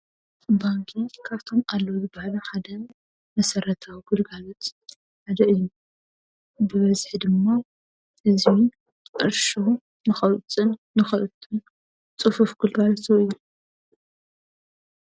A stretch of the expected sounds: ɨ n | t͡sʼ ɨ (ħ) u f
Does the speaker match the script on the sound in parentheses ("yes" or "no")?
no